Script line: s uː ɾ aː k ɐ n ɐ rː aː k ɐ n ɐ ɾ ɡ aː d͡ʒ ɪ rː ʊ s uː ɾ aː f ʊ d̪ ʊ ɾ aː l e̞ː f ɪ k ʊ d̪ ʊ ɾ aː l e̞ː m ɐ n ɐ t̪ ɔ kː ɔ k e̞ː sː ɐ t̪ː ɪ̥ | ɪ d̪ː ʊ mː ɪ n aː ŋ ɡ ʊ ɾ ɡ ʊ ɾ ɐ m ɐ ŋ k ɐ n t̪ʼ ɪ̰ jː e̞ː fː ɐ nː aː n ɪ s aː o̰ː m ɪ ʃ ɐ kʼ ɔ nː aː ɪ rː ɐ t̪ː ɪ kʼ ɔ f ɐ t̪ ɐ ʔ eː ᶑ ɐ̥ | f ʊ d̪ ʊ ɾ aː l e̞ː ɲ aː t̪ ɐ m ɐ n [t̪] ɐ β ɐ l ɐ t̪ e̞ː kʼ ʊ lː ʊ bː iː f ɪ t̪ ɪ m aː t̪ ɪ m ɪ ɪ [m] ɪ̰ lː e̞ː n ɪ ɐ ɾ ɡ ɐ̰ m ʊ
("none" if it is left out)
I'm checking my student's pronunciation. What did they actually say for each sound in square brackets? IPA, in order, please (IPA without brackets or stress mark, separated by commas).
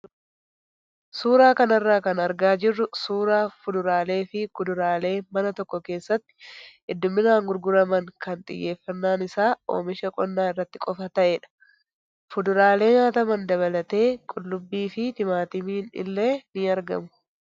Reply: d̪, n